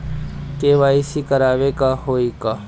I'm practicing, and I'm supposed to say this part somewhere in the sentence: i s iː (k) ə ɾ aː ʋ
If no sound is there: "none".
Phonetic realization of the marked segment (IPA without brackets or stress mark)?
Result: k